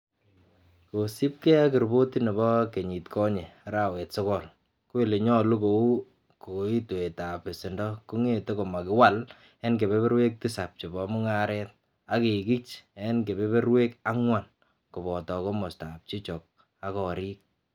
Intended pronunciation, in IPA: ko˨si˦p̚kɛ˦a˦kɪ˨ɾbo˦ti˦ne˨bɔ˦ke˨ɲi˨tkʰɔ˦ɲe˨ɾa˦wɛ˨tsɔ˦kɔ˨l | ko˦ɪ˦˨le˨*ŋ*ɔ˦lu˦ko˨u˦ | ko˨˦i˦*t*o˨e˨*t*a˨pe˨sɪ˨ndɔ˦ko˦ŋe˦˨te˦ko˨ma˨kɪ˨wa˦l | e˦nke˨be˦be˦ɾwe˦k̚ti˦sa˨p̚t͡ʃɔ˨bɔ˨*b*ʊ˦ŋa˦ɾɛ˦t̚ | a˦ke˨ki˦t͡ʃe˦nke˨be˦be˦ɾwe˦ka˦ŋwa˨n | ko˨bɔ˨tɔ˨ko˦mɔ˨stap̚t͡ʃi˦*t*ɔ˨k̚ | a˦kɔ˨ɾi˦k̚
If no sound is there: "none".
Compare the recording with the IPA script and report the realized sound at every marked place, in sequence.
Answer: ɲ, t, t, m, t͡ʃ

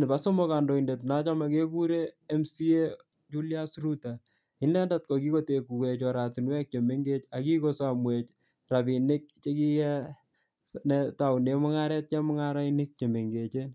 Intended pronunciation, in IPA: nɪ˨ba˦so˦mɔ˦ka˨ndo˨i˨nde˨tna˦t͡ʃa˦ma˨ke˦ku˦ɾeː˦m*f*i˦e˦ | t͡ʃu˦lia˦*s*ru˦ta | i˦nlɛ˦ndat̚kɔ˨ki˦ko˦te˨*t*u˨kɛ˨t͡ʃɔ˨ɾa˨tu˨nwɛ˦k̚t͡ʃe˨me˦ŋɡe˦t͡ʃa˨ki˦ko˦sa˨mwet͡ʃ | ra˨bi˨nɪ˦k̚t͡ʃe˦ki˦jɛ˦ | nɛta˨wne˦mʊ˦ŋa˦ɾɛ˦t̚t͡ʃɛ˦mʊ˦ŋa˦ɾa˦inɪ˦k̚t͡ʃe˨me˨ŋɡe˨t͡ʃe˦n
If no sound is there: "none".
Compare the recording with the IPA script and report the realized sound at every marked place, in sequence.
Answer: s, s, k

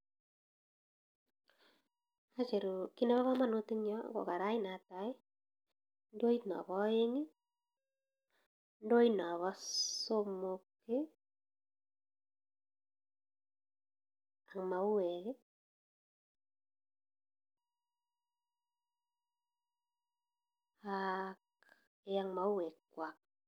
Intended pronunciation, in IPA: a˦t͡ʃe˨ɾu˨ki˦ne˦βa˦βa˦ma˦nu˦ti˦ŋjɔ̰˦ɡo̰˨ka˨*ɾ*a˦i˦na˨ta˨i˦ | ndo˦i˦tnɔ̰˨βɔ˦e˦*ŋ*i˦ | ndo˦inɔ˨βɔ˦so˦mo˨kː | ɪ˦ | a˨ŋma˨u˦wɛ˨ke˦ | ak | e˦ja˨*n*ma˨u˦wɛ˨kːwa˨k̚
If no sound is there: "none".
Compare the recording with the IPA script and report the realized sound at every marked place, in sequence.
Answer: ɾ, ŋ, ŋ

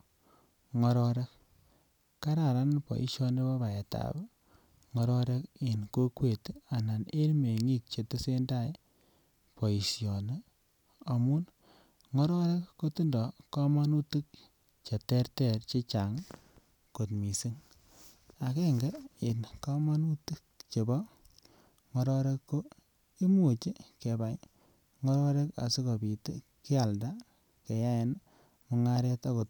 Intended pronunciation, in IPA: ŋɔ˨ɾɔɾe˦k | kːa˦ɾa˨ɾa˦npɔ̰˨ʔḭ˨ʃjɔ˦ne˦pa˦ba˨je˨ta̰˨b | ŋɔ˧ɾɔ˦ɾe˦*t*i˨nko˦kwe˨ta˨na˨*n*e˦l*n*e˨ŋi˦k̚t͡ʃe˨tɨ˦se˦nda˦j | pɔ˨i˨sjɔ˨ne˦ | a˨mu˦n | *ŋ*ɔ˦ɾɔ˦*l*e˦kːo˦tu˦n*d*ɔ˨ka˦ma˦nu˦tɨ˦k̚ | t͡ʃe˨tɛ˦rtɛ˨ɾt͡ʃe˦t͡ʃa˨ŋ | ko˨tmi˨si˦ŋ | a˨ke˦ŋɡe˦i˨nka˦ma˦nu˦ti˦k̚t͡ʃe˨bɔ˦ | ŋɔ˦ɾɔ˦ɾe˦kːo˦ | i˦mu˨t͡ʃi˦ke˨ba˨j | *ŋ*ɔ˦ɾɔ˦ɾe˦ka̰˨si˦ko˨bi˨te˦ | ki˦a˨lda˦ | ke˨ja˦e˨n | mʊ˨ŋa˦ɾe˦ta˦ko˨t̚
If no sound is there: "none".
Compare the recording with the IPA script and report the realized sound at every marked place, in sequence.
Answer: k, n, m, ŋ, ɾ, d, ŋ

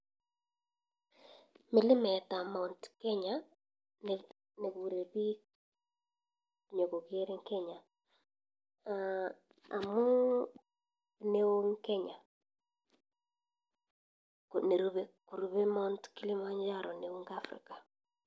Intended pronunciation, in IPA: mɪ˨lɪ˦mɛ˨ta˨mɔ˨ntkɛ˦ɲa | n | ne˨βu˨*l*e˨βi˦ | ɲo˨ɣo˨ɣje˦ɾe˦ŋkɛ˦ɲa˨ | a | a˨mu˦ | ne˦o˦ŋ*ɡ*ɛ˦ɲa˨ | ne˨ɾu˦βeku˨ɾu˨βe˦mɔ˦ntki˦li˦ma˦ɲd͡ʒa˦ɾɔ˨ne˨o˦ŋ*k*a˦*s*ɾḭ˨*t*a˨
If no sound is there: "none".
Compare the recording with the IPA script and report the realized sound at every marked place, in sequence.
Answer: ɾ, k, ɡ, f, k

